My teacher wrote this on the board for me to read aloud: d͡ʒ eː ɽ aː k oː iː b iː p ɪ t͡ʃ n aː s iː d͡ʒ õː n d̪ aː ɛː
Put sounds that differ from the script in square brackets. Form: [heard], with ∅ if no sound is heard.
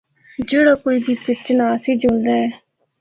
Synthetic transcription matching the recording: d͡ʒ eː ɽ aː k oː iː b iː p ɪ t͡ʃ n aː s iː d͡ʒ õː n d̪ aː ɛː